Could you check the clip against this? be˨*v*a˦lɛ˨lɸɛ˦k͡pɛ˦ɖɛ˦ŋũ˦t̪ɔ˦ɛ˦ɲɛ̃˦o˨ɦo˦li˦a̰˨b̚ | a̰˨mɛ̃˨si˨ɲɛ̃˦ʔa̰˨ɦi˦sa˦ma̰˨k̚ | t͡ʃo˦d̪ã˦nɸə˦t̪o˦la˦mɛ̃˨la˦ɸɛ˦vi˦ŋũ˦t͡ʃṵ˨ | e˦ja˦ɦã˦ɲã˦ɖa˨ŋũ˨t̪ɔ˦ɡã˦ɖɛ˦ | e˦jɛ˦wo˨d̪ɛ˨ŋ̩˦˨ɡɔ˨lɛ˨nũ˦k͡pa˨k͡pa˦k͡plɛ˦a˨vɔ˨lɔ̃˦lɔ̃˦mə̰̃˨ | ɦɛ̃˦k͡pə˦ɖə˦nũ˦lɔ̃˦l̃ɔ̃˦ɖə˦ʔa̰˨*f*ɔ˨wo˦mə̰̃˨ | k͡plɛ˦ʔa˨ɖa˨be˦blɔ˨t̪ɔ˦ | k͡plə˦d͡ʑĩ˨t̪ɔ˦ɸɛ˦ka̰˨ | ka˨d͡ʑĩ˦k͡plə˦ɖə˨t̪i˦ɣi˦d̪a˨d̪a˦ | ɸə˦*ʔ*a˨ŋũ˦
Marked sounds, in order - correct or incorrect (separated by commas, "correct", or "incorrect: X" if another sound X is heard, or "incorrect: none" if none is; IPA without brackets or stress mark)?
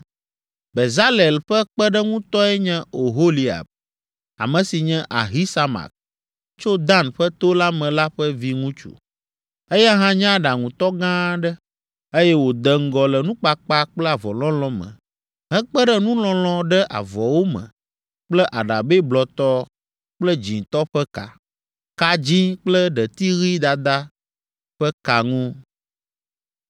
incorrect: z, incorrect: v, incorrect: k